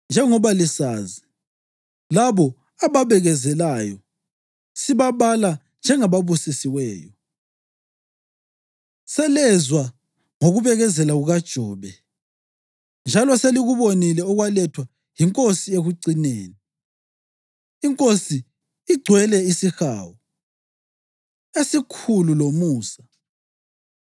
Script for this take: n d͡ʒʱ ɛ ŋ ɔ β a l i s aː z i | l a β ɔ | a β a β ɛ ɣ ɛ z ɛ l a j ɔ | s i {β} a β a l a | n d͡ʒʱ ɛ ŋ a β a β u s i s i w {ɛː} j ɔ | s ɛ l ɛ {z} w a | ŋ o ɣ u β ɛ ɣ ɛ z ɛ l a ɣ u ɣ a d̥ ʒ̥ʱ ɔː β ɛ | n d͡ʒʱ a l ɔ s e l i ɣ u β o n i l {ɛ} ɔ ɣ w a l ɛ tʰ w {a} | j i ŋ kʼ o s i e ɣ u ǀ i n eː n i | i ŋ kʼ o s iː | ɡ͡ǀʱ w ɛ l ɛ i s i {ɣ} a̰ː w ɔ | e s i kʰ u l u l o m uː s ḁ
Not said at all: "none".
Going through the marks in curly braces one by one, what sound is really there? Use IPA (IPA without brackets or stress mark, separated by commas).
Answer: β, ɛː, z, ɛ, a, x